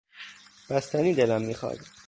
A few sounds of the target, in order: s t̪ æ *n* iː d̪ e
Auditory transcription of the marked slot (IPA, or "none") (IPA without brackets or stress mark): n